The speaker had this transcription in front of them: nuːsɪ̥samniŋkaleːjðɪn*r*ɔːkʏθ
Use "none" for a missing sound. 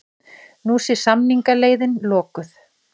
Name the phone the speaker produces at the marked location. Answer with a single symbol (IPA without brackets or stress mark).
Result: l